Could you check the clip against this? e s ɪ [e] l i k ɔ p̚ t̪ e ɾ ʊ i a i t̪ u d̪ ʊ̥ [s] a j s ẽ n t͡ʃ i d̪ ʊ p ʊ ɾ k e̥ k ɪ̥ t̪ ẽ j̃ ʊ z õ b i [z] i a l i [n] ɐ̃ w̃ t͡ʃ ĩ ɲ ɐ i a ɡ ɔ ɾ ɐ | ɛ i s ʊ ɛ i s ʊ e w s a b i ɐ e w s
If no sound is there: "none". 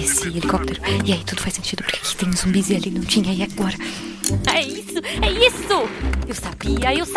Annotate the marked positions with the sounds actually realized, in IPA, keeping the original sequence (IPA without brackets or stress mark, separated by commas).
e, f, z, n